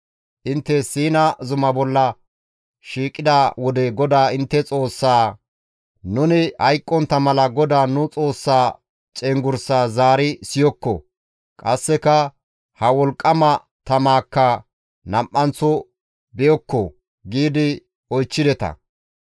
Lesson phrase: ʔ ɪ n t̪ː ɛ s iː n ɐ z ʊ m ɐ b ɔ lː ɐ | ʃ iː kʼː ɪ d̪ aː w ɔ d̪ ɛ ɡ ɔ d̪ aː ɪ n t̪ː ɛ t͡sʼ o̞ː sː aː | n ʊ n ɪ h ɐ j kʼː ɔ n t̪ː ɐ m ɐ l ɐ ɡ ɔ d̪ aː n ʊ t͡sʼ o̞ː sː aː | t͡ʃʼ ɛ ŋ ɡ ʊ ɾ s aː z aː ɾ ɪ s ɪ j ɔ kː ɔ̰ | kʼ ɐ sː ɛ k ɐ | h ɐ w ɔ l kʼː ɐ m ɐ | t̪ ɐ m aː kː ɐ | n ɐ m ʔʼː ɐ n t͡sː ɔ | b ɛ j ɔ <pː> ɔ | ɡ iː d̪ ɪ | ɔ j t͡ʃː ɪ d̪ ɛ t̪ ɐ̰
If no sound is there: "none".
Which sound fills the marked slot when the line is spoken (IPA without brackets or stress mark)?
kː